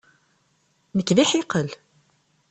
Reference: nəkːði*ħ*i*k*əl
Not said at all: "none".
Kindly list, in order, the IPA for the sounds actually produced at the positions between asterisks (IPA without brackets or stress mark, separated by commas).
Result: ħ, q